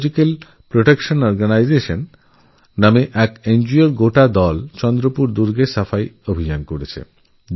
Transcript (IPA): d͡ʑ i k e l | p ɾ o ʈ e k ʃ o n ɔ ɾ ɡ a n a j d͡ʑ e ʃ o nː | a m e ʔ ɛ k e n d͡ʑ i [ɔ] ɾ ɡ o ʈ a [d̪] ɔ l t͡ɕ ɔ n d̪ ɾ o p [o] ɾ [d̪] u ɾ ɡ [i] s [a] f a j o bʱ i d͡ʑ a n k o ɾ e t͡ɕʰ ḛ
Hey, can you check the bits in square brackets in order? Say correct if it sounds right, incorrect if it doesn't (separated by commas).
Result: incorrect, correct, incorrect, correct, incorrect, correct